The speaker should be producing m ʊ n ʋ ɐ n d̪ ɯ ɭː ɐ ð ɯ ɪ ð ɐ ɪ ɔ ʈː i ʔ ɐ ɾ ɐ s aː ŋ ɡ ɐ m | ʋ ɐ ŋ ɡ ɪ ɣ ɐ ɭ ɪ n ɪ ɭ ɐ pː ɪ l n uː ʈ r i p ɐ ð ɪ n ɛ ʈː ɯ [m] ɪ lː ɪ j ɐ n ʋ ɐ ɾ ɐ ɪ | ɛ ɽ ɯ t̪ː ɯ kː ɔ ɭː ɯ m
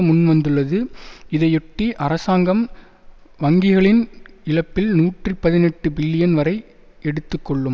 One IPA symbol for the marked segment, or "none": b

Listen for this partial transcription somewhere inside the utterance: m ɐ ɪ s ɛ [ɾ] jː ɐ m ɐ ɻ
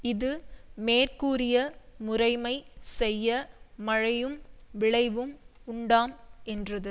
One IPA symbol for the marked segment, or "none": none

